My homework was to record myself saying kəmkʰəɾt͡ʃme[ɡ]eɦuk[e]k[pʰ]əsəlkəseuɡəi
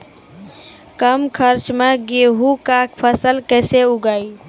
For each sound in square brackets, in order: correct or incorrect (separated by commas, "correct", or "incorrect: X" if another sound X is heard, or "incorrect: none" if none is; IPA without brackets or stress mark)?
correct, incorrect: a, correct